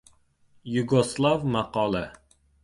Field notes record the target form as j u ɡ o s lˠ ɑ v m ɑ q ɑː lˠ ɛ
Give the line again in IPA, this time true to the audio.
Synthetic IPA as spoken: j u ɡ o s lˠ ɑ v m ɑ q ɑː lˠ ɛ